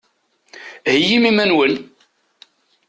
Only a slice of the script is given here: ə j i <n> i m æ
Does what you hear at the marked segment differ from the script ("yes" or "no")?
yes